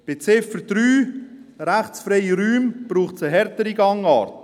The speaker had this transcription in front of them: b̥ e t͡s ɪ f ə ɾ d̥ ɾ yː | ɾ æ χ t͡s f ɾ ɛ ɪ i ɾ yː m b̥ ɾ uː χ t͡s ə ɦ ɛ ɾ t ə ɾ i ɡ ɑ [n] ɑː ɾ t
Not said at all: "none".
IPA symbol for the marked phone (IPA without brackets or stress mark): ŋ